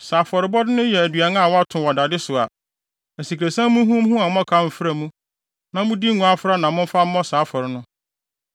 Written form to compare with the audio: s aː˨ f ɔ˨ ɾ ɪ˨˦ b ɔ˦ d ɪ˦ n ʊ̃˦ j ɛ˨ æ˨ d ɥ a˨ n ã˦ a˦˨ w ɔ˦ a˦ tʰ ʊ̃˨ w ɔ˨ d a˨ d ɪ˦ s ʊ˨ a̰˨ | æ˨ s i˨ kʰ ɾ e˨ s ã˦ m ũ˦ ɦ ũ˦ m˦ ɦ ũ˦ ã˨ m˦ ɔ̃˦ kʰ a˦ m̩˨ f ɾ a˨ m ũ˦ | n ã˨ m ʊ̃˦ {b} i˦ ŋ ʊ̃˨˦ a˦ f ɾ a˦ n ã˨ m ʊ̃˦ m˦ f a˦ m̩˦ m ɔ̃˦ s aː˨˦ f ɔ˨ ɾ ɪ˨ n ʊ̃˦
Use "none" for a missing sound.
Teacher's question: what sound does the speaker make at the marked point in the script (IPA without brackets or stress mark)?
d